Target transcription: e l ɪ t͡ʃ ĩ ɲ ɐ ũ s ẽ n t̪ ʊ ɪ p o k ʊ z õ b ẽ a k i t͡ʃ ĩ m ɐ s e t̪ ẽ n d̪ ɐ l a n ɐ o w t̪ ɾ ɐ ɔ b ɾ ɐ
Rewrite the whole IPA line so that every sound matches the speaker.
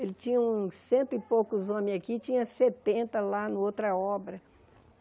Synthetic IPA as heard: e l ɪ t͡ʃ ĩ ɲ ɐ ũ s ẽ n t̪ ʊ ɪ p o k ʊ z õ m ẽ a k i t͡ʃ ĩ ɲ ɐ s e t̪ ẽ n t̪ ɐ l a n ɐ o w t̪ ɾ ɐ ɔ b ɾ ɐ